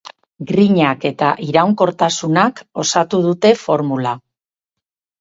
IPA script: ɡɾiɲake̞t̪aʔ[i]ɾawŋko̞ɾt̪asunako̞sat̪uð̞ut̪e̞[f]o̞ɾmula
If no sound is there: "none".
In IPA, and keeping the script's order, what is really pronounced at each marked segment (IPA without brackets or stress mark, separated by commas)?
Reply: i, f